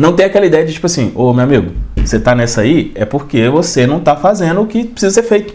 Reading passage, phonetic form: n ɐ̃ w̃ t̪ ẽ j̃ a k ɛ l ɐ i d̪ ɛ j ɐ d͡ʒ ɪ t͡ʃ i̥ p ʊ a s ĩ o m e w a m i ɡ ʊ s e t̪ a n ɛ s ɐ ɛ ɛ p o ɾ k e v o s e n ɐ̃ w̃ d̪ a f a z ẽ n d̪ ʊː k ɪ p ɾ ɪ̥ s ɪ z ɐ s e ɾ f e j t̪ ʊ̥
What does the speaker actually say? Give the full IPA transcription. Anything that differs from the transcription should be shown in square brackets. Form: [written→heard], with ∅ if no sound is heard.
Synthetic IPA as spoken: n ɐ̃ w̃ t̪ ẽ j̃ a k ɛ l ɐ i d̪ ɛ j ɐ d͡ʒ ɪ t͡ʃ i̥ p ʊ a s ĩ o m e w a m i ɡ ʊ s e t̪ a n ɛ s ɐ [ɛ→i] ɛ p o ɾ k e v o s e n ɐ̃ w̃ [d̪→t̪] a f a z ẽ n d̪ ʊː k ɪ p ɾ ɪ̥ s [ɪ→i] z ɐ s e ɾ f e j t̪ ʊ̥